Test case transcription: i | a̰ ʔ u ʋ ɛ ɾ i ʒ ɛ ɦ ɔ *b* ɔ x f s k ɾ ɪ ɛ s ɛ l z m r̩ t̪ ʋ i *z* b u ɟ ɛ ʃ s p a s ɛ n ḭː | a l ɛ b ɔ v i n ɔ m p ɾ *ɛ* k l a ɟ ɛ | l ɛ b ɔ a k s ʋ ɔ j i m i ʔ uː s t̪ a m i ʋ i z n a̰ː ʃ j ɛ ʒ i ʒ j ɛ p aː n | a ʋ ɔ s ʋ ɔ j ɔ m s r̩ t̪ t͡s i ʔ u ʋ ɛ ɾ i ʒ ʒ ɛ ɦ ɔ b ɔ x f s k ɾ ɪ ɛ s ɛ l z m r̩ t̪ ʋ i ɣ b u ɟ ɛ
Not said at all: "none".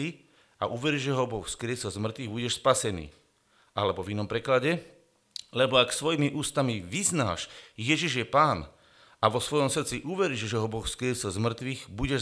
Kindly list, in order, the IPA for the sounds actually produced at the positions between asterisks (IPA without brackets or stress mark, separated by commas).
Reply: b, ɣ, ɛ